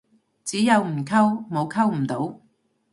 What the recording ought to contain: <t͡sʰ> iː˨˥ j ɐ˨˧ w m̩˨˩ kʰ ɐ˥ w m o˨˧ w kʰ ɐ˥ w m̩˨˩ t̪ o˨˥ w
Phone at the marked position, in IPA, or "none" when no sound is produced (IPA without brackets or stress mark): t͡s